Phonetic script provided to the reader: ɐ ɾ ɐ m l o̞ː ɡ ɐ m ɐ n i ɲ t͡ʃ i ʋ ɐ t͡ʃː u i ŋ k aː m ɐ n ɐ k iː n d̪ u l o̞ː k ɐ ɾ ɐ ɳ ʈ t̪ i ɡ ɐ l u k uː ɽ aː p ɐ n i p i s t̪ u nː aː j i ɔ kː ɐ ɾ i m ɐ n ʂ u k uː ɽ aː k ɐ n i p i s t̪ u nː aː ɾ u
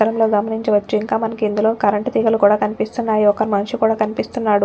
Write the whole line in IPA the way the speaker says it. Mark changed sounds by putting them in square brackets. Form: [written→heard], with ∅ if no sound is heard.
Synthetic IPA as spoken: ɐ ɾ ɐ m l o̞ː ɡ ɐ m ɐ n i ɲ t͡ʃ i ʋ ɐ t͡ʃː u i ŋ k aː m ɐ n ɐ k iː n d̪ u l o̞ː k ɐ ɾ ɐ ɳ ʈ t̪ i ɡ ɐ l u k uː ɽ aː [p→k] ɐ n i p i s t̪ u nː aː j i ɔ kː ɐ ɾ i m ɐ n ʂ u k uː ɽ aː k ɐ n i p i s t̪ u nː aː [ɾ→ɽ] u